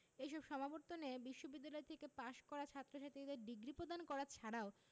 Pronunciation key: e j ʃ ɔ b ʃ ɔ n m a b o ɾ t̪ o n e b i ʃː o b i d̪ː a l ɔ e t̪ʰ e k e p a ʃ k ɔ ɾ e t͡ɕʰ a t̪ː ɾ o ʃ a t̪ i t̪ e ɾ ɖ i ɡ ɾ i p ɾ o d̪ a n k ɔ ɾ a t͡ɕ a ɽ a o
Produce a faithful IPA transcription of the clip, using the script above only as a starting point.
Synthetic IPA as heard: e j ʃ ɔ b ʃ ɔ m a b o ɾ t̪ o n e b i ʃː o b i d̪ː a l ɔ e t̪ʰ e k e p a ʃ k ɔ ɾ a t͡ɕʰ a t̪ː ɾ o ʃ a t̪ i d̪ e ɾ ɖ i ɡ ɾ i p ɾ o d̪ a n k ɔ ɾ a t͡ɕʰ a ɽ a o